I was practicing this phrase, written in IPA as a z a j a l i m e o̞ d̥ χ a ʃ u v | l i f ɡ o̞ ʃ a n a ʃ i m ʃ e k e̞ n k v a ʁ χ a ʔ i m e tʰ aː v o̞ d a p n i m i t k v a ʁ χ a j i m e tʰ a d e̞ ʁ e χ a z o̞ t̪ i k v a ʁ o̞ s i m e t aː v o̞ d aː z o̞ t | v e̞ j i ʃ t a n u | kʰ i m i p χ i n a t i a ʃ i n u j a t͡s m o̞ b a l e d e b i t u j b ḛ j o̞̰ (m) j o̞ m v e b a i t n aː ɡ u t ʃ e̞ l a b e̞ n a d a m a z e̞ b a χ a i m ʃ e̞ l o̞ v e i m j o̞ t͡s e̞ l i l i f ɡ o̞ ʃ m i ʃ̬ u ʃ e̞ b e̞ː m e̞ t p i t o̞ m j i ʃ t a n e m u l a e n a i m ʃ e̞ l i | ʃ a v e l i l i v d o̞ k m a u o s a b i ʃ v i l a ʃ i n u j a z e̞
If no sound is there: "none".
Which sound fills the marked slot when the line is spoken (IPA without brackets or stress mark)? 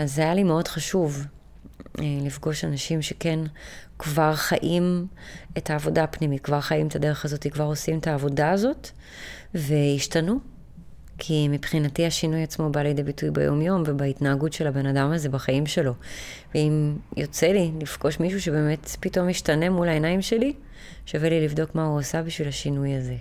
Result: m